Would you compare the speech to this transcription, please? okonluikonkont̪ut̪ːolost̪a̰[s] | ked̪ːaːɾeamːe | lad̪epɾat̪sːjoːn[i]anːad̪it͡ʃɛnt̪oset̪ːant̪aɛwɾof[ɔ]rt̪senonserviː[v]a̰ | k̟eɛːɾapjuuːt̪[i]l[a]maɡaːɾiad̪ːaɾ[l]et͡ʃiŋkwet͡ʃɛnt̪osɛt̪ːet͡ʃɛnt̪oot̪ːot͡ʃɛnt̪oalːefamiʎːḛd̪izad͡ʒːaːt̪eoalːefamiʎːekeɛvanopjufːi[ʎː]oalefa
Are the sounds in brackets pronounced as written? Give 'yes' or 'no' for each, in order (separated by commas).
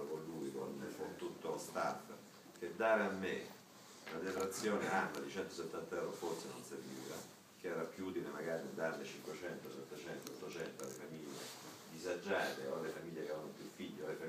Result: no, no, no, yes, yes, no, yes, yes